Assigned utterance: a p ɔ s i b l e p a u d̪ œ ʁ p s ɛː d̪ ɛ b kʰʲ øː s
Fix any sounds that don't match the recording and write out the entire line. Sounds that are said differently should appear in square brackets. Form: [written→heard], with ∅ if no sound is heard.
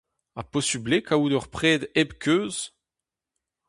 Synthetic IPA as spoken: a p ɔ s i b l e [p→k] a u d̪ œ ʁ p [s→χ] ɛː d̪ ɛ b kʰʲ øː [s→z]